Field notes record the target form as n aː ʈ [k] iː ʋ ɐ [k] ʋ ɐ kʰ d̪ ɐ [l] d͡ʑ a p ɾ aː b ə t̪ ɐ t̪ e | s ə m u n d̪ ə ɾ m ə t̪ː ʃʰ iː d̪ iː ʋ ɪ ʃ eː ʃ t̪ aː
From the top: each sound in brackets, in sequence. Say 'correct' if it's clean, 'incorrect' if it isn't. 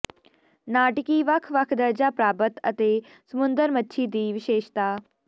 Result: correct, incorrect: kʰ, incorrect: ɾ

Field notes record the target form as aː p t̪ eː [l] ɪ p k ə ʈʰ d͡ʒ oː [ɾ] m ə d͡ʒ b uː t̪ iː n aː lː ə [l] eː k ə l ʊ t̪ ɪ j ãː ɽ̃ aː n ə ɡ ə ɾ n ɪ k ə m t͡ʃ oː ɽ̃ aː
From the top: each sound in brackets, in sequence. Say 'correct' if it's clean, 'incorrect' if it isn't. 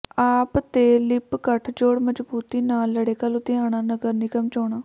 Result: correct, incorrect: ɽ, incorrect: ɽ

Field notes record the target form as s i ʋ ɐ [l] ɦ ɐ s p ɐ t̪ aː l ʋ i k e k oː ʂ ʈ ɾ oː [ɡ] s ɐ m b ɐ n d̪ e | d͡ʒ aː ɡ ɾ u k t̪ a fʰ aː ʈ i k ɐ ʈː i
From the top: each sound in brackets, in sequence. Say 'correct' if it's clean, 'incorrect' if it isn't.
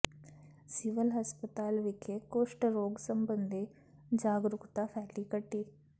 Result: correct, correct

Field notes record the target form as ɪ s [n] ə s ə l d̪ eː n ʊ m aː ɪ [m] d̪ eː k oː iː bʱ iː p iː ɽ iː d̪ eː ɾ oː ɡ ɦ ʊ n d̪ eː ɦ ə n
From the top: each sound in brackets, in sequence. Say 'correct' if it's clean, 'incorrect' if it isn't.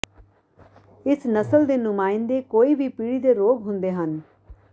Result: correct, incorrect: n

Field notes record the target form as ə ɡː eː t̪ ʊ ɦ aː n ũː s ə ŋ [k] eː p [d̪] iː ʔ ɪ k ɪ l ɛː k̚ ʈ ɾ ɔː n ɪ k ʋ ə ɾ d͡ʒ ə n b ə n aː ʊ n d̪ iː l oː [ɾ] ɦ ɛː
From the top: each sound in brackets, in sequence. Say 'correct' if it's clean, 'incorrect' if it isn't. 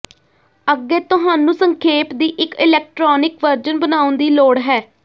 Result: incorrect: kʰ, correct, incorrect: ɽ

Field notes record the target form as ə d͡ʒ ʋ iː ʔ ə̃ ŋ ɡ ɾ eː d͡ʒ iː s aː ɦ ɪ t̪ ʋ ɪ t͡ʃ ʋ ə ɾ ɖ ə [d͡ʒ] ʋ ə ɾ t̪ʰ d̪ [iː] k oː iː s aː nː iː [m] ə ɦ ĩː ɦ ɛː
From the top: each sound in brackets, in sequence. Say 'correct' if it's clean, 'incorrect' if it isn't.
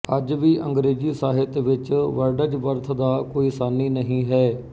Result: correct, incorrect: aː, incorrect: n

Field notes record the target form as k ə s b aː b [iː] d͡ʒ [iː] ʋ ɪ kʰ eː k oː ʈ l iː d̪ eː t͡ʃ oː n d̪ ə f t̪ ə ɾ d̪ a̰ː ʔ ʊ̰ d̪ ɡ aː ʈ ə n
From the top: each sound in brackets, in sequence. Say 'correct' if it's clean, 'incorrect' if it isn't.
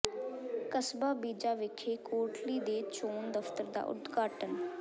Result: correct, incorrect: aː

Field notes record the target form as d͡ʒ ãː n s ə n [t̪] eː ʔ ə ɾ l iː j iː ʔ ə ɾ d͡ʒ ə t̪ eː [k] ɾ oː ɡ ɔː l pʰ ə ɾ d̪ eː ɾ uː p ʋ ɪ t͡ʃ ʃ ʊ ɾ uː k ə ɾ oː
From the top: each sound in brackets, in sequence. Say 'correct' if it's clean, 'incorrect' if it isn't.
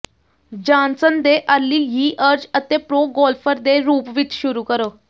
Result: incorrect: d̪, incorrect: p

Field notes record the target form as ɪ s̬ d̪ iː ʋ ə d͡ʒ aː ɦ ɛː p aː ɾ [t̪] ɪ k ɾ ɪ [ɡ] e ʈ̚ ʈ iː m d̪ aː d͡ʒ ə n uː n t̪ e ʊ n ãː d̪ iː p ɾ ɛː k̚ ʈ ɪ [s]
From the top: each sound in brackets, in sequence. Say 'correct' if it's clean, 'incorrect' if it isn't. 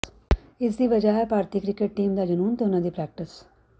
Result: correct, incorrect: k, correct

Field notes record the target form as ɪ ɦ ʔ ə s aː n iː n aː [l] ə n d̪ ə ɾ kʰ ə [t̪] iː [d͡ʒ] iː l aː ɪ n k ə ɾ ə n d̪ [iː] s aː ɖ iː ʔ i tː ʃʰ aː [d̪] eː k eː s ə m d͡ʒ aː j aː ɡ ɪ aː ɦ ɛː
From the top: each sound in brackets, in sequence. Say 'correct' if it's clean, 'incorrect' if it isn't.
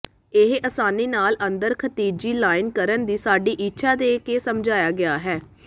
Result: correct, correct, correct, correct, correct

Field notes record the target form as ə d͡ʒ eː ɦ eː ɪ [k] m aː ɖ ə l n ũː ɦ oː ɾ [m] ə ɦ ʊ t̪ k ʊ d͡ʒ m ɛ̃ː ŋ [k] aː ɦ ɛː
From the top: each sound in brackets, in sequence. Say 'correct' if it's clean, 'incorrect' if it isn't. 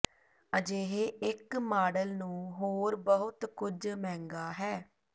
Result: correct, incorrect: b, incorrect: ɡ

